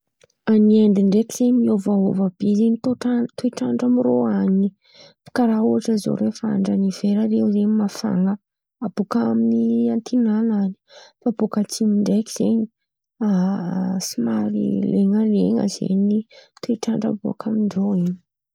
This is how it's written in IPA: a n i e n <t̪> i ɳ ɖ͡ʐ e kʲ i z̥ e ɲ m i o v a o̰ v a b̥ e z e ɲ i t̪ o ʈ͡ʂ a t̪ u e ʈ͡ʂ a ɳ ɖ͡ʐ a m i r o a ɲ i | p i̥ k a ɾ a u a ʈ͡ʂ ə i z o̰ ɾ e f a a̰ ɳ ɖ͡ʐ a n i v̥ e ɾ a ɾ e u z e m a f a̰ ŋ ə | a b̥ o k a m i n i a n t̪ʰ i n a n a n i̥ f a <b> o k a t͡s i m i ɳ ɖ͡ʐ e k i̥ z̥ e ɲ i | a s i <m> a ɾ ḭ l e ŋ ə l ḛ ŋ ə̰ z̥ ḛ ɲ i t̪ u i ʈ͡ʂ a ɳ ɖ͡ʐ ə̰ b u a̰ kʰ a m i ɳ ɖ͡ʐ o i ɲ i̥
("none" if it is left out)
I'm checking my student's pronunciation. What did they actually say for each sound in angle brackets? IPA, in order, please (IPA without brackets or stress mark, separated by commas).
d̪, b, m